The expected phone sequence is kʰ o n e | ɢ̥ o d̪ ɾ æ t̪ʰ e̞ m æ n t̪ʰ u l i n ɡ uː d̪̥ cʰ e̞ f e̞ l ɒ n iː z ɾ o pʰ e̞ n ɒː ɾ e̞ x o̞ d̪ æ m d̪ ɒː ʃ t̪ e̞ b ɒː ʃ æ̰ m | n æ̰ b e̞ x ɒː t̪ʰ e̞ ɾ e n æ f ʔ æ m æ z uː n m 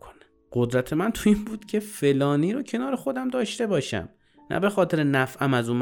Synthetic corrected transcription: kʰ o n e | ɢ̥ o d̪ ɾ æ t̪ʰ e̞ m æ n t̪ʰ u i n b uː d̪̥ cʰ e̞ f e̞ l ɒː n iː ɾ o cʰ e̞ n ɒː ɾ e̞ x o̞ d̪ æ m d̪ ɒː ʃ t̪ e̞ b ɒː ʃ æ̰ m | n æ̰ b e̞ x ɒː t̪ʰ e̞ ɾ e n æ f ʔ æ m æ z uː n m